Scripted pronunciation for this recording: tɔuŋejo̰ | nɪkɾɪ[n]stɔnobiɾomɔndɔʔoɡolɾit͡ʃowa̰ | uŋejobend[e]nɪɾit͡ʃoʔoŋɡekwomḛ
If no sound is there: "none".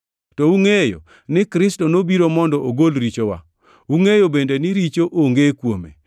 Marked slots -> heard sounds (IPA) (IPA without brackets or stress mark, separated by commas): none, e